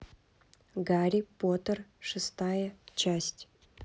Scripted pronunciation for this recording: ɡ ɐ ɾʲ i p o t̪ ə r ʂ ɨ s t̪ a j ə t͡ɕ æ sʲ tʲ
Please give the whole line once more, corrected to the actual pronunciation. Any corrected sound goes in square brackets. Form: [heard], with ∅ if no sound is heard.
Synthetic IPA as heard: ɡ [a] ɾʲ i p o t̪ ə r ʂ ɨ s t̪ a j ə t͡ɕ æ sʲ tʲ